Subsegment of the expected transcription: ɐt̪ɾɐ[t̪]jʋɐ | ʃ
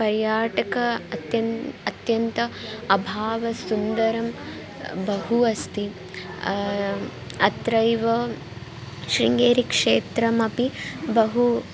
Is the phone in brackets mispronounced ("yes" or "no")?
yes